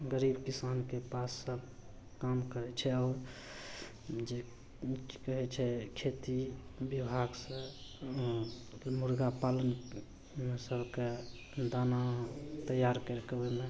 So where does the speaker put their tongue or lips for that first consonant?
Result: velum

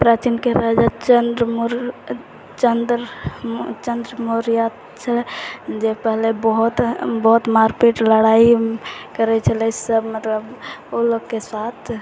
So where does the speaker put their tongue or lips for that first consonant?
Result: lips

